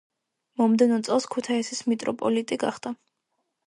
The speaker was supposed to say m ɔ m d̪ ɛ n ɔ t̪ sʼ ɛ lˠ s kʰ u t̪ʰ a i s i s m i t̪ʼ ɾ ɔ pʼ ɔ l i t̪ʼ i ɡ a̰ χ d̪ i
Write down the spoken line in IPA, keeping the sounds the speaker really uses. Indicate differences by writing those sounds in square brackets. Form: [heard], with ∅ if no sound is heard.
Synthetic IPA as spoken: m ɔ m d̪ ɛ n ɔ t̪ sʼ ɛ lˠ s kʰ u t̪ʰ a i s i s m i t̪ʼ ɾ ɔ pʼ ɔ l i t̪ʼ i ɡ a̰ χ d̪ [a]